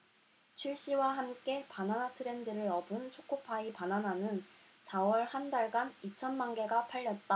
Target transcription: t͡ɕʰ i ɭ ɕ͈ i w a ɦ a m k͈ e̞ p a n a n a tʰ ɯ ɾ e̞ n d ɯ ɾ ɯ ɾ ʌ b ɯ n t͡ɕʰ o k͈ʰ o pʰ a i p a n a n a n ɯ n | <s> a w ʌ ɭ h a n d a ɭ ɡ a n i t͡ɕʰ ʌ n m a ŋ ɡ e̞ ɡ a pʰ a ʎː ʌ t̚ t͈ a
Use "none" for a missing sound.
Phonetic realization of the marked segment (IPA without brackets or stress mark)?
s